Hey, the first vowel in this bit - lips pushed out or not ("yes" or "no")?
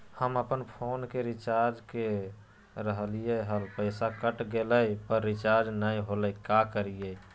no